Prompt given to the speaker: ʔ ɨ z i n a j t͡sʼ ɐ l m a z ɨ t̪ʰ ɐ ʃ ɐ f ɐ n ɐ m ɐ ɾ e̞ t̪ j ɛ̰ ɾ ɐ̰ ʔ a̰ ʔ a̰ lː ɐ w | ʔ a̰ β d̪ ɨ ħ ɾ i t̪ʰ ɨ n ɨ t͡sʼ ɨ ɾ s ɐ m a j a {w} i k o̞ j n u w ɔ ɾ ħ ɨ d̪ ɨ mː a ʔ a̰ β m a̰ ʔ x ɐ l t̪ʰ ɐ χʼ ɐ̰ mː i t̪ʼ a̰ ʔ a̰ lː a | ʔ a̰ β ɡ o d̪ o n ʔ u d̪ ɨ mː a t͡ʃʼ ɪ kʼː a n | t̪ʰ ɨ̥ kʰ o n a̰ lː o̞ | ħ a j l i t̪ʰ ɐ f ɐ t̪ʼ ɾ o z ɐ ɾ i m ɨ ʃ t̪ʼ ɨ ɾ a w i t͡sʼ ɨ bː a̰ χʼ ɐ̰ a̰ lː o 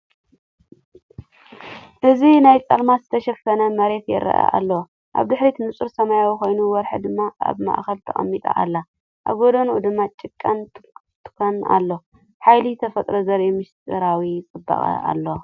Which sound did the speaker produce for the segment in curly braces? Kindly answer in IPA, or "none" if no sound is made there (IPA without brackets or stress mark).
w